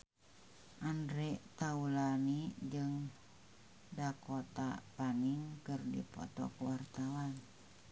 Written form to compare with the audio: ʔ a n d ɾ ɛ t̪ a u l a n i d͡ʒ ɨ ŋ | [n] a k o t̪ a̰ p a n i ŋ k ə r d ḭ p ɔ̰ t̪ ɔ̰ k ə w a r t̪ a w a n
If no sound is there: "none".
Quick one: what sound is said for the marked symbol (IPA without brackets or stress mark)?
d